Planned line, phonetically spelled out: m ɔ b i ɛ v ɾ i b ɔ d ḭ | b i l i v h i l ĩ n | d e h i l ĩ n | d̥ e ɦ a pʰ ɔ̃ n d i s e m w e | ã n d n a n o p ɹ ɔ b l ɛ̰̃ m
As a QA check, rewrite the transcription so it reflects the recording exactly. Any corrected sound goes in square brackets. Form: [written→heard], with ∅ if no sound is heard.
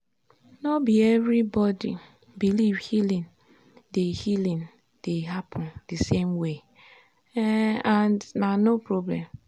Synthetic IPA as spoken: [m→n] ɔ b i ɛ v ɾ i b ɔ d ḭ | b i l i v h i l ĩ n | d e h i l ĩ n | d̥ e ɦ a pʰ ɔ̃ n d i s e m w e | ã n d n a n o p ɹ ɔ b l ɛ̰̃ m